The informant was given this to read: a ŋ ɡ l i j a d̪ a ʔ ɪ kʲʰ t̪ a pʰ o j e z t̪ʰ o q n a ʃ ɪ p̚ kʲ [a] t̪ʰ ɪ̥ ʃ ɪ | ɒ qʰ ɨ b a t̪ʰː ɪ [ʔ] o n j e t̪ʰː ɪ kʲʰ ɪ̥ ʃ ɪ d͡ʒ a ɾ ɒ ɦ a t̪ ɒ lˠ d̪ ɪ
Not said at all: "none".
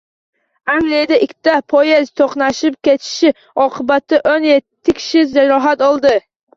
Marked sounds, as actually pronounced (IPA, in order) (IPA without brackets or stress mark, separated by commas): e, ʔ